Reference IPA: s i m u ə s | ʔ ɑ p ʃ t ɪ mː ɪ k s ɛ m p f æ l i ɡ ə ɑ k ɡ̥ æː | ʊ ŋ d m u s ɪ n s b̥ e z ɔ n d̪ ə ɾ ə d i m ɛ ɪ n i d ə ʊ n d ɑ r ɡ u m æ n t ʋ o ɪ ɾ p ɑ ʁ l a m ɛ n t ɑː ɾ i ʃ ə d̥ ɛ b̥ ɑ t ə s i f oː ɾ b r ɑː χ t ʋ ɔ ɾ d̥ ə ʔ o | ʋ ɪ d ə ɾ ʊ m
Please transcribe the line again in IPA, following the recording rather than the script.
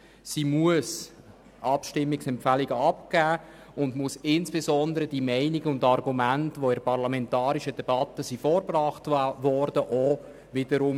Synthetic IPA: s i m u ə s | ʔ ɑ p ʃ t ɪ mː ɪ k s ɛ m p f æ l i ɡ ə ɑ p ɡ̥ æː | ʊ n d m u s ɪ n s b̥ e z ɔ n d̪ ə ɾ ə d i m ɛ ɪ n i ɡ ə ʊ n d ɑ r ɡ u m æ n t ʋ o ɪ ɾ p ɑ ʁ l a m ɛ n t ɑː ɾ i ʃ ə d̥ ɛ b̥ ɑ t ə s i f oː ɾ b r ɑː χ t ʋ ɔ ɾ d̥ ə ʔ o | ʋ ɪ d ə ɾ ʊ m